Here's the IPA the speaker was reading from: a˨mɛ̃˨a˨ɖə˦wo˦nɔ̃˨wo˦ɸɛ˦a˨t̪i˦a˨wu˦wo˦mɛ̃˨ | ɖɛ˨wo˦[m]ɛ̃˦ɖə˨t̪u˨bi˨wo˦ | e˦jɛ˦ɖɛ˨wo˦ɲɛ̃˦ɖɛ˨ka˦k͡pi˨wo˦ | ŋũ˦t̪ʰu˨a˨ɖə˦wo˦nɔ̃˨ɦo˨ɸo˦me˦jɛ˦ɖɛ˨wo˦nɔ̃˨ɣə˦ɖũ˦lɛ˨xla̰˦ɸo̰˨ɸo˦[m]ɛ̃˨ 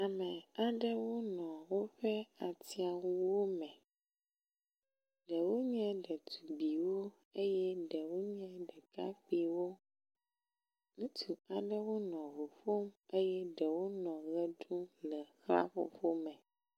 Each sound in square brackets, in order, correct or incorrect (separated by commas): incorrect, correct